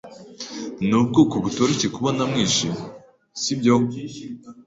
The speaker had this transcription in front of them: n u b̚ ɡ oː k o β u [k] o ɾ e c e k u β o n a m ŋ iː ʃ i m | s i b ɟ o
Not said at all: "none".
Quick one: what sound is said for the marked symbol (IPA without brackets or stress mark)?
t